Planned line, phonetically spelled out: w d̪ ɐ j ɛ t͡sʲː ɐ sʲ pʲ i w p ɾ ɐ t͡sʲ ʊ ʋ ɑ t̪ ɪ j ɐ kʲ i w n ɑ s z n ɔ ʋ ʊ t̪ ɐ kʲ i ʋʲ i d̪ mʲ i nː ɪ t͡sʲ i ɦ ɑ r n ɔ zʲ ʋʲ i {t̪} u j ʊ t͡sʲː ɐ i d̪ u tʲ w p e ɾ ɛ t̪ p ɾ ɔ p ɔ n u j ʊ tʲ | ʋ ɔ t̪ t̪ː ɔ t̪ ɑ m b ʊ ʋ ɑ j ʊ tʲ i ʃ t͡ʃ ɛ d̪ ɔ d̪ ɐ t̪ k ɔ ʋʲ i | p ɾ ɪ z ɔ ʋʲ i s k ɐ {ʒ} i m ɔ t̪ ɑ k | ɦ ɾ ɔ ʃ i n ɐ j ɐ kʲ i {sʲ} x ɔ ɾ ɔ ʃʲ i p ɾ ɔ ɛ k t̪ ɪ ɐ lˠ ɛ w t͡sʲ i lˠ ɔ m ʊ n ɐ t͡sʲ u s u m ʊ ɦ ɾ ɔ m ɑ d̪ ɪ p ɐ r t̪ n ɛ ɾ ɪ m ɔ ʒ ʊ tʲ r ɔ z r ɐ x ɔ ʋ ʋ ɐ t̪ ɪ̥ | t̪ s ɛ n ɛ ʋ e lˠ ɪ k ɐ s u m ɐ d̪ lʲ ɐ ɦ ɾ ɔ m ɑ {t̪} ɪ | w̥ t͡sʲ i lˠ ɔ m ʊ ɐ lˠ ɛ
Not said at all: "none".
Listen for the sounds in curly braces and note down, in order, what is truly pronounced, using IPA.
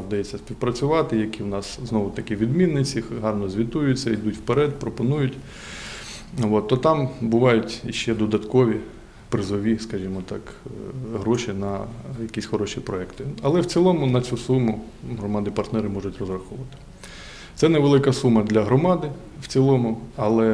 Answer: t̪, ʒ, sʲ, d̪

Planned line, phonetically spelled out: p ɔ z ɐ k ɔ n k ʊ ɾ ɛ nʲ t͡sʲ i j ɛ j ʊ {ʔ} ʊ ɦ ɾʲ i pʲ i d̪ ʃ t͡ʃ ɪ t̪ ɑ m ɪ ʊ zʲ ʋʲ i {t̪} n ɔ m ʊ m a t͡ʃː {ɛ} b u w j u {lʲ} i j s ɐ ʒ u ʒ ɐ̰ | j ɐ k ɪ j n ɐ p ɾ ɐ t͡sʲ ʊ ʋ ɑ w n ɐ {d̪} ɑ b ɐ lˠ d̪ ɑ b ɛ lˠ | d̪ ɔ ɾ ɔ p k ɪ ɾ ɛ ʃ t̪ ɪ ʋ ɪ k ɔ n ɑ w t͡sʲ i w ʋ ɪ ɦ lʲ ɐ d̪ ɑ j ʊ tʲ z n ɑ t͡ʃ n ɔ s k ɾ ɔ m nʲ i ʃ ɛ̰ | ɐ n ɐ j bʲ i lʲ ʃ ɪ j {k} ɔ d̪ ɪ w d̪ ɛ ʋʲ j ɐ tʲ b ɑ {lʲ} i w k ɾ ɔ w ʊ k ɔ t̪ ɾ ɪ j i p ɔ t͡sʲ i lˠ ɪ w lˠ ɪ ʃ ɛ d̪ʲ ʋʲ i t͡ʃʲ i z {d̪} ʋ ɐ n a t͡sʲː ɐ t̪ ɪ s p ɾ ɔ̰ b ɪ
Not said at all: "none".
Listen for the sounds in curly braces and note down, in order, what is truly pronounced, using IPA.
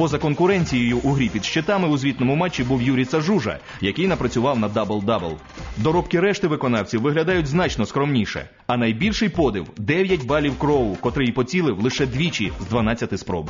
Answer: ʔ, t̪, i, ɾʲ, d̪, p, lʲ, d̪

